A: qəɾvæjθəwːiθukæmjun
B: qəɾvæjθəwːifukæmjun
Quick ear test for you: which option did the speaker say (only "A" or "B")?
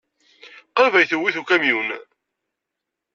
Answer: A